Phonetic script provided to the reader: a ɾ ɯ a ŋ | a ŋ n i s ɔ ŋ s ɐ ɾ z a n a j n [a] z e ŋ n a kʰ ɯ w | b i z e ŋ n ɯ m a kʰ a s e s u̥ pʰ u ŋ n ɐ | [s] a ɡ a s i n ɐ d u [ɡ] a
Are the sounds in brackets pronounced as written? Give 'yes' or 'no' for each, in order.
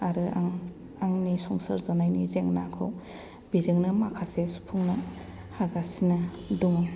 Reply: no, no, no

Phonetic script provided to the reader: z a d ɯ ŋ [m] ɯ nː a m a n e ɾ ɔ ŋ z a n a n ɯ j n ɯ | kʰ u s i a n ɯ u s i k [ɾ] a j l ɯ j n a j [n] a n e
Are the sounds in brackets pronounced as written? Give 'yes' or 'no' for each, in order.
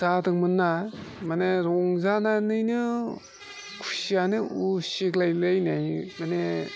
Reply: yes, no, no

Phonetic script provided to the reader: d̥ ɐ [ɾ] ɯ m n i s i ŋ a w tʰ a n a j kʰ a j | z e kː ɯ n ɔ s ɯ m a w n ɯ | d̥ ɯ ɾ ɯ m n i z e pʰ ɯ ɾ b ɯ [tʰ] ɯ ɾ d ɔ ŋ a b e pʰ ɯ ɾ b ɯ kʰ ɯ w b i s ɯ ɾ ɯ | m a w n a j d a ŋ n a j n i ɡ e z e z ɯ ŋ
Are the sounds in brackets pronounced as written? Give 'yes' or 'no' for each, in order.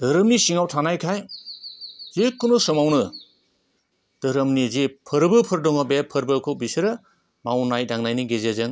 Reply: yes, no

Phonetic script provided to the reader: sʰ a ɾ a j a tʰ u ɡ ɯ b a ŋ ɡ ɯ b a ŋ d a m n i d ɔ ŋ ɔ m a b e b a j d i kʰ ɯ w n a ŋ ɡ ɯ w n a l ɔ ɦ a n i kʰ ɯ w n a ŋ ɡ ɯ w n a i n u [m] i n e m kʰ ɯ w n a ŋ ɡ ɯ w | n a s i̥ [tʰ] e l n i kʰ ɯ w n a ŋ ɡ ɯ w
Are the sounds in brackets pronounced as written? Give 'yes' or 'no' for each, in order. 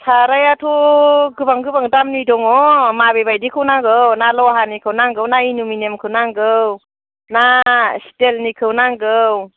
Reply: yes, no

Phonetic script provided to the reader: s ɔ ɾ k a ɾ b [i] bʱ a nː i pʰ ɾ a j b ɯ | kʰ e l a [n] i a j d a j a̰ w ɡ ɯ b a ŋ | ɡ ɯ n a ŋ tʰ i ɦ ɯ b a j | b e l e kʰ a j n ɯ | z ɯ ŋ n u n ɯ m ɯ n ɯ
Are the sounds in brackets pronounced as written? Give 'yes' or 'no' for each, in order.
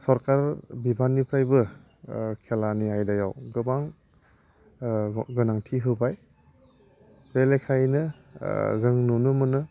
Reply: yes, yes

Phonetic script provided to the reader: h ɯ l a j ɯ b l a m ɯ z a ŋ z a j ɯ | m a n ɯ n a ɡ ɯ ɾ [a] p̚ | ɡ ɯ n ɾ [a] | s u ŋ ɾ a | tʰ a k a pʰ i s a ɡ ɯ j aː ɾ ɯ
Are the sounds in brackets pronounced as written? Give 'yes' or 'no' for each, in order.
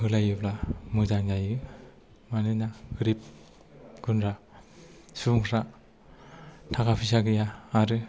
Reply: no, yes

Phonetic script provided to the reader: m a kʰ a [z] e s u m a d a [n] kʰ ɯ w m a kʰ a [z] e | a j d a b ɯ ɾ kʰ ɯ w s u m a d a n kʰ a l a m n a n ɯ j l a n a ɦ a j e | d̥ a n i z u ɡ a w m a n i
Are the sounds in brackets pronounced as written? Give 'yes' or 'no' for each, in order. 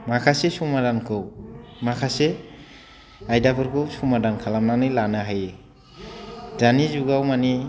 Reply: no, yes, no

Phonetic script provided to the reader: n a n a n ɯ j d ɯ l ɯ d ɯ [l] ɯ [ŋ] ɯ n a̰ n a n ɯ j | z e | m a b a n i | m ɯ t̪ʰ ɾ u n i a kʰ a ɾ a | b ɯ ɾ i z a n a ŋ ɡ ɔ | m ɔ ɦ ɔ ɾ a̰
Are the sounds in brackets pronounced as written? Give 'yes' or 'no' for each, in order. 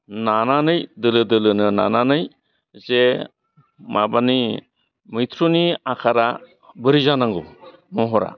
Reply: yes, no

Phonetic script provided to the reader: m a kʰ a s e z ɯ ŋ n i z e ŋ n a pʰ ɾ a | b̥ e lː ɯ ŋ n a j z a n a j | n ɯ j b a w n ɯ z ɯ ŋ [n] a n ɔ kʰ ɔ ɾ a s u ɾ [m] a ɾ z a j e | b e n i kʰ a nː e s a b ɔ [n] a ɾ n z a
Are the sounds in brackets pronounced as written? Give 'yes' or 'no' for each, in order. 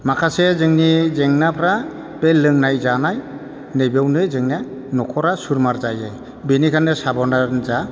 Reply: yes, yes, yes

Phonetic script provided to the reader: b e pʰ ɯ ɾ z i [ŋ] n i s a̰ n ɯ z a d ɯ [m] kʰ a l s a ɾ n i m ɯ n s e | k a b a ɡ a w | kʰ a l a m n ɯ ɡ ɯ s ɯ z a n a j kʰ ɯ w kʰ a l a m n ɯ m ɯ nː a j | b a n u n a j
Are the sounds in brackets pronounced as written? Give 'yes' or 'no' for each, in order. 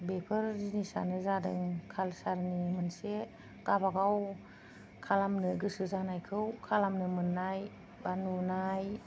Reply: no, no

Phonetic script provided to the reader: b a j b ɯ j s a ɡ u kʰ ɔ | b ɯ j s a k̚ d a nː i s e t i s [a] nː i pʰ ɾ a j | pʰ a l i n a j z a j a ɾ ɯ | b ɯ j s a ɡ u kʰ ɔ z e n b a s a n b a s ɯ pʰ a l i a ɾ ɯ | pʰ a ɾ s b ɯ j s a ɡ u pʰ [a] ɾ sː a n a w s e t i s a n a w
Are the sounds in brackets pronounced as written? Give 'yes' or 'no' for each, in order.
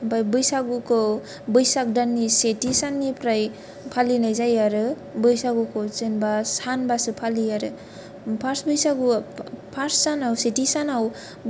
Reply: yes, yes

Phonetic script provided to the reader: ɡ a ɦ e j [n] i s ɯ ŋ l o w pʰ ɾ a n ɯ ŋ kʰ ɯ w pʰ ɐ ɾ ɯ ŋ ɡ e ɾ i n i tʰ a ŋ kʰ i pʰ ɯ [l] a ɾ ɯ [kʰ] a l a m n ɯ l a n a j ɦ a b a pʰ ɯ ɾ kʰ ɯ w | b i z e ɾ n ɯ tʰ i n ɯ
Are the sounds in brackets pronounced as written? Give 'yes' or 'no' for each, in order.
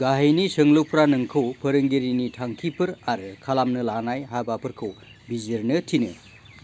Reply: yes, no, yes

